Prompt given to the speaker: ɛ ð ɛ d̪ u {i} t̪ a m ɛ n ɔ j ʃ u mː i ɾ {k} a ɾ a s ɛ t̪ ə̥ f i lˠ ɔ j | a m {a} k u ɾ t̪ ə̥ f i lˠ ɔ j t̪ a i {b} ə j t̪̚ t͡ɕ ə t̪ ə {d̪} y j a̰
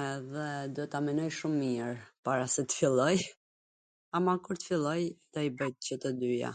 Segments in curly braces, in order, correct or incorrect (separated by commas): incorrect, incorrect, correct, correct, correct